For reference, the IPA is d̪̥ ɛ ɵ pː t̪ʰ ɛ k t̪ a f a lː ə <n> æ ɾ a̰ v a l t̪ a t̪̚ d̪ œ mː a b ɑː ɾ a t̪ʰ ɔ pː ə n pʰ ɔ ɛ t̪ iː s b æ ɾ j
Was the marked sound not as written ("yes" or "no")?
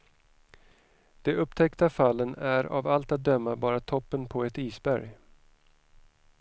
no